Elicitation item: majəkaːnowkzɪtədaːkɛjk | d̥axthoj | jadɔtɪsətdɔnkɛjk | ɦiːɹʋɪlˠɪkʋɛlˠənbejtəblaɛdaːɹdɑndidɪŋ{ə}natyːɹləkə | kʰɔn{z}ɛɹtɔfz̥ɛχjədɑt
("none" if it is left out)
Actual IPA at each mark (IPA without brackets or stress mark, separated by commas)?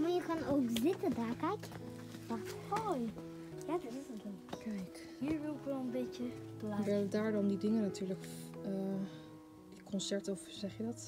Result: ə, s